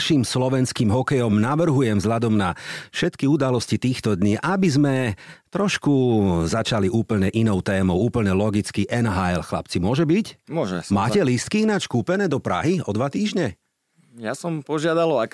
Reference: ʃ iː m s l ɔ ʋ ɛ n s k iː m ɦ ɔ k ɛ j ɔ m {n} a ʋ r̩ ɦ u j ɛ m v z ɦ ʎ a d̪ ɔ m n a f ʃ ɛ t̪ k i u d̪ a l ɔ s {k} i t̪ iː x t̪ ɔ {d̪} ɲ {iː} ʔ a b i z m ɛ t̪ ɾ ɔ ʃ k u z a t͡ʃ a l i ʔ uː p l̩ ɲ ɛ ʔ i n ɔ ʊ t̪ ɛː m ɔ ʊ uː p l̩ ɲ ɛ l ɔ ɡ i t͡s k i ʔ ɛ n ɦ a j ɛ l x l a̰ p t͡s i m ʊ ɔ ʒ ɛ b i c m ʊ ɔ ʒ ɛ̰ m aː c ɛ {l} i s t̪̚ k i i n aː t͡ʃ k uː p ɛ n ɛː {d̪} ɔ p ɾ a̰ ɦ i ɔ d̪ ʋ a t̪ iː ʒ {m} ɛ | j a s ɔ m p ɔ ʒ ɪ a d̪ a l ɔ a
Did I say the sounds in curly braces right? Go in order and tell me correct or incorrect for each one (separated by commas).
correct, incorrect, correct, correct, correct, correct, incorrect